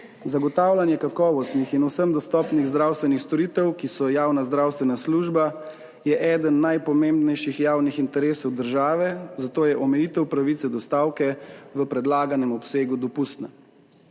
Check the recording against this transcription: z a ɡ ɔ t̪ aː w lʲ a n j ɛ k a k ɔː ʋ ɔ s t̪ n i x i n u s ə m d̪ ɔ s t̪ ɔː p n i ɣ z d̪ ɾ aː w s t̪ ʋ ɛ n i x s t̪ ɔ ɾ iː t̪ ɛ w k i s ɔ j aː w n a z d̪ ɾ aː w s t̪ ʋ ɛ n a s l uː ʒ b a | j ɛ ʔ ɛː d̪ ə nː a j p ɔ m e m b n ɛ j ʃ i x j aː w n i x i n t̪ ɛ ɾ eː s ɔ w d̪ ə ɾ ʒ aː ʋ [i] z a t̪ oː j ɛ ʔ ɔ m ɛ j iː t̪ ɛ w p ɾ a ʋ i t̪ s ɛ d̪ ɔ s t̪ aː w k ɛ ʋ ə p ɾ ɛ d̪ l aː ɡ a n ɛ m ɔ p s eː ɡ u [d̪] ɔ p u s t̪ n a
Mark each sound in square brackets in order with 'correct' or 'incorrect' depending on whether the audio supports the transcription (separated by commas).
incorrect, correct